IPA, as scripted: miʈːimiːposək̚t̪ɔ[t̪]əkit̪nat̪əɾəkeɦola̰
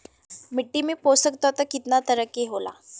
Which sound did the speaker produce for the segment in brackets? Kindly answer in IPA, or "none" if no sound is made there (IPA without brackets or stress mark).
t̪